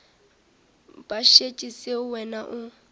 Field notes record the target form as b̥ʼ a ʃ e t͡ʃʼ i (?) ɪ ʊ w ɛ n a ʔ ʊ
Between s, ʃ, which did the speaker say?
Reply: s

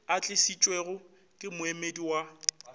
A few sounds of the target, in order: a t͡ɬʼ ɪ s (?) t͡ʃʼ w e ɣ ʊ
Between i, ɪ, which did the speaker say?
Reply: i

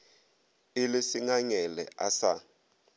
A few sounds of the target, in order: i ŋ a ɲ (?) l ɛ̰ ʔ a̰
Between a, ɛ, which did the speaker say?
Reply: ɛ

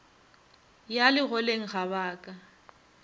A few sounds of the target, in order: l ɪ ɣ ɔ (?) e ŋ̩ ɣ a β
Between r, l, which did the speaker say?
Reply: l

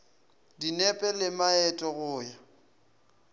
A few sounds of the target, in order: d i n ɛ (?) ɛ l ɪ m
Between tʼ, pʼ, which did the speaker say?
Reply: pʼ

